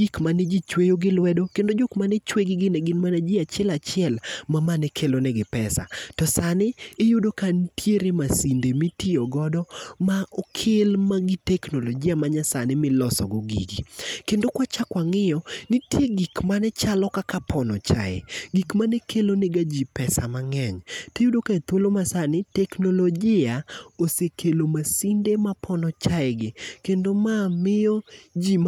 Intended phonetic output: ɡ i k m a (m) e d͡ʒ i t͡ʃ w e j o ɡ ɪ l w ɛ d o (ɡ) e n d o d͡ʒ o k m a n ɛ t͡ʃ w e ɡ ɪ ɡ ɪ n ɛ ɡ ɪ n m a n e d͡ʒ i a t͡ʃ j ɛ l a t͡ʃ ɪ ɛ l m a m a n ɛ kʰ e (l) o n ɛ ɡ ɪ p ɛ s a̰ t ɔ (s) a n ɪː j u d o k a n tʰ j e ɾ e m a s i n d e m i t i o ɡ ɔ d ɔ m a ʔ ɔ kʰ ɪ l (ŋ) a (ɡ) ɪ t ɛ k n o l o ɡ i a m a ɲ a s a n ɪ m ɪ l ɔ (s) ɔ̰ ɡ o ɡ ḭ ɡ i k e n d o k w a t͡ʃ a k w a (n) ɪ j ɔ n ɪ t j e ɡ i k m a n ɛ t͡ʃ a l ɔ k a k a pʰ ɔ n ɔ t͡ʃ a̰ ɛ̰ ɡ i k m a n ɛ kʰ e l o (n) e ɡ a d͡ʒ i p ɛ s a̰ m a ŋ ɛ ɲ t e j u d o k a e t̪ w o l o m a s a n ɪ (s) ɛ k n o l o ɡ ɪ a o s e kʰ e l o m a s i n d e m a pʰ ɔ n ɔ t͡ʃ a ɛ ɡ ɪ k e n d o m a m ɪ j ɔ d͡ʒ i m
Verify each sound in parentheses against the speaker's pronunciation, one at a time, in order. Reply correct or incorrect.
incorrect, incorrect, correct, correct, incorrect, correct, correct, incorrect, correct, incorrect

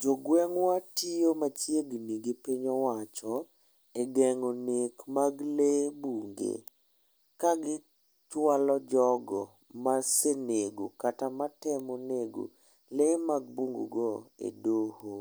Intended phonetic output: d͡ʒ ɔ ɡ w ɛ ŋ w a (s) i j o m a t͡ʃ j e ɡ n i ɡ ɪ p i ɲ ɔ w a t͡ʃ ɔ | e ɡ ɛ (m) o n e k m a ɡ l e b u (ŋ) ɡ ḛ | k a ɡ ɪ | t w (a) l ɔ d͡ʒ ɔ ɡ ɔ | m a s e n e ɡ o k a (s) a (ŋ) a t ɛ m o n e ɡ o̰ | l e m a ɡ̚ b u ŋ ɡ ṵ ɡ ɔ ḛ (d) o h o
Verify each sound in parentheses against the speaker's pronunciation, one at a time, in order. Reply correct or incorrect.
incorrect, incorrect, correct, correct, incorrect, incorrect, correct

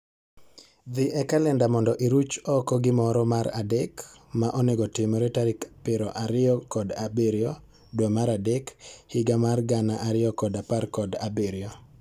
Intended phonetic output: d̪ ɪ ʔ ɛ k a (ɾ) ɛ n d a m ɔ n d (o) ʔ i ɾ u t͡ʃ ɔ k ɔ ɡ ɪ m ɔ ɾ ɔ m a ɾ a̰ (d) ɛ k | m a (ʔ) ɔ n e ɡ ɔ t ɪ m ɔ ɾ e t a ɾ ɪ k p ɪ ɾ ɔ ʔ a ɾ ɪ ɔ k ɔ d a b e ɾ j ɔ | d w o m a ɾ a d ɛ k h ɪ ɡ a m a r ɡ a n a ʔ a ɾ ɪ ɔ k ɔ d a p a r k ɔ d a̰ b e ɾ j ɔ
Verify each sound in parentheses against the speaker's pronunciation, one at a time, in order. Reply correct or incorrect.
incorrect, incorrect, correct, correct

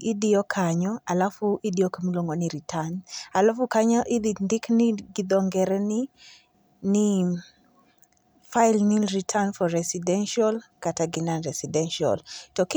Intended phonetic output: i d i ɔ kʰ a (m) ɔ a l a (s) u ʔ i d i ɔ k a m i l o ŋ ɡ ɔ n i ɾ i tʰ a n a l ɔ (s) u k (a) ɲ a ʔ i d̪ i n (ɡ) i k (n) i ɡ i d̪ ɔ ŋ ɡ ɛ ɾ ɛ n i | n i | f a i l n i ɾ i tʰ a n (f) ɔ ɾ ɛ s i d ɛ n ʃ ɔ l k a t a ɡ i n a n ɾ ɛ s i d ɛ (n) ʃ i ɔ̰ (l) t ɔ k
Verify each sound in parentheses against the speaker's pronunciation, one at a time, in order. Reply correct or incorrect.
incorrect, incorrect, incorrect, correct, incorrect, correct, correct, correct, correct

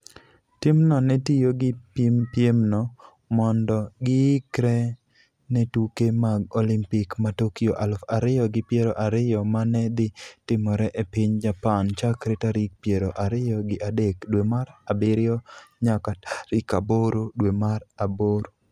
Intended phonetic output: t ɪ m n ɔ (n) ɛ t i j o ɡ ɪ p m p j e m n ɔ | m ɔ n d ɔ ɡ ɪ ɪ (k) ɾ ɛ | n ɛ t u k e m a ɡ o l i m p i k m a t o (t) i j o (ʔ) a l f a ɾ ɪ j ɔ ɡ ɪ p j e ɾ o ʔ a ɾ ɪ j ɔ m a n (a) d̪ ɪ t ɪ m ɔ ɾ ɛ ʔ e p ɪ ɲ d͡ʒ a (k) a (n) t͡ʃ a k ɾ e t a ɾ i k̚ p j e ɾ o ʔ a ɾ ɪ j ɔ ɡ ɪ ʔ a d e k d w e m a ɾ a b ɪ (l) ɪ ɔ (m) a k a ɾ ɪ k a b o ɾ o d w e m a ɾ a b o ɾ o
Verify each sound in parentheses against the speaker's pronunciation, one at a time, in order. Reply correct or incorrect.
correct, correct, incorrect, correct, incorrect, incorrect, correct, incorrect, incorrect

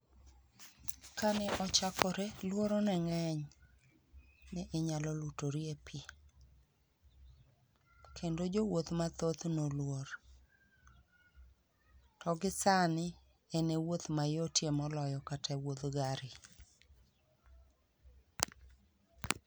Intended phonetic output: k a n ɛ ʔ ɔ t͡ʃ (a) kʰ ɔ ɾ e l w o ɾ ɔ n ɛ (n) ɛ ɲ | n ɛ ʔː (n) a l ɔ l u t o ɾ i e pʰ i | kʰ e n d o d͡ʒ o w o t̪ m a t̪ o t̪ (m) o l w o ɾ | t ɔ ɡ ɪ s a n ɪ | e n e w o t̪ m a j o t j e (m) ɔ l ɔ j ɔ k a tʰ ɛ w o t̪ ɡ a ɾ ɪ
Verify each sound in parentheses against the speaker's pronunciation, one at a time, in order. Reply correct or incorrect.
correct, incorrect, incorrect, incorrect, correct

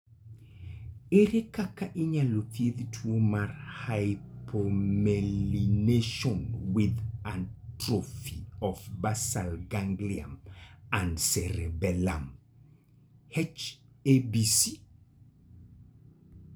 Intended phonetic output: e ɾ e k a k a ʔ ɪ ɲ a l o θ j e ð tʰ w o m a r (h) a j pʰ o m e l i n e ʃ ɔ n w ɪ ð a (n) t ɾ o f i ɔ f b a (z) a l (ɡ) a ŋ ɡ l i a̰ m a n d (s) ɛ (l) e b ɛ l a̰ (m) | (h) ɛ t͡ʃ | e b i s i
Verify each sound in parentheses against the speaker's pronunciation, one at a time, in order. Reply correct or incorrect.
correct, correct, incorrect, correct, correct, incorrect, correct, correct

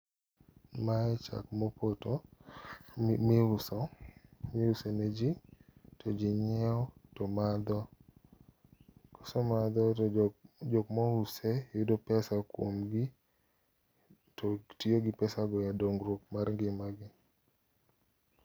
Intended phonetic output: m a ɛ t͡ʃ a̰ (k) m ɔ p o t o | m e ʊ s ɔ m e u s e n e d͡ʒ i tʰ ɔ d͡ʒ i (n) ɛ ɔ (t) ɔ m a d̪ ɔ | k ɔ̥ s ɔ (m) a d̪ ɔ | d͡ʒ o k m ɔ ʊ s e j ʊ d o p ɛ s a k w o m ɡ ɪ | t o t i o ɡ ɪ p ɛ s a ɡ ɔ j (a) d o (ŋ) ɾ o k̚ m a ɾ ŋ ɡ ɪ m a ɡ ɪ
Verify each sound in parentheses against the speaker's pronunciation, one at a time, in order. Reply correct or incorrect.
correct, incorrect, correct, correct, correct, correct

